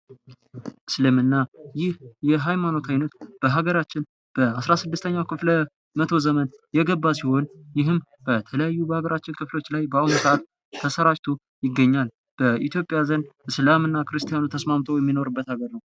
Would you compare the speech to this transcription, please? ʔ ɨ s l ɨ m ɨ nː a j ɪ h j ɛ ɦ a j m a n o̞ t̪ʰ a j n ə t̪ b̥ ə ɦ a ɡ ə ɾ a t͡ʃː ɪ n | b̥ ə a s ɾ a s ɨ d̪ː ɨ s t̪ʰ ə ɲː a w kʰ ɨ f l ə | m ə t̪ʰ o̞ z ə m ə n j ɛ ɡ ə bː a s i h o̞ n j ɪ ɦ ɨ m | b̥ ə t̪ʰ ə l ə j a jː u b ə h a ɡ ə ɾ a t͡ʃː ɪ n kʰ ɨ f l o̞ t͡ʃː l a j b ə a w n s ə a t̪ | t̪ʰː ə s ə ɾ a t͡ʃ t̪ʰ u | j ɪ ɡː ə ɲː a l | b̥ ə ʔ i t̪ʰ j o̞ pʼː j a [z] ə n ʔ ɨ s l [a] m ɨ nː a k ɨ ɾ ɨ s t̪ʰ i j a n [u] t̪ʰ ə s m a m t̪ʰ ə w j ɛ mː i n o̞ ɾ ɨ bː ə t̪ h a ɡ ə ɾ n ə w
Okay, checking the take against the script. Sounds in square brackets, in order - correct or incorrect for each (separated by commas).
correct, correct, correct